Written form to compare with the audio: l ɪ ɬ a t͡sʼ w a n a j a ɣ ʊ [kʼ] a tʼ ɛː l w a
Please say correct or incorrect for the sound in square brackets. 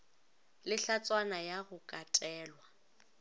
correct